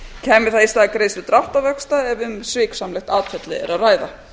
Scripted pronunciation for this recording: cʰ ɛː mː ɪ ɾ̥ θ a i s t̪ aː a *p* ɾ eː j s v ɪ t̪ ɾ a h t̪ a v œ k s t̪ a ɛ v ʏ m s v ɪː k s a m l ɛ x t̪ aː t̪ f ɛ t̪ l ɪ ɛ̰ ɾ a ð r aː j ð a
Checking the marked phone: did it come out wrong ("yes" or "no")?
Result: yes